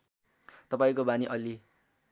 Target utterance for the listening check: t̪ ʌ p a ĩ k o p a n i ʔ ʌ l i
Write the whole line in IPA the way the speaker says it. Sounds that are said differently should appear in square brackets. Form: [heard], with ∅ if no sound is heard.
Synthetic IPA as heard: t̪ ʌ p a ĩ k o [b] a n i ʔ ʌ l i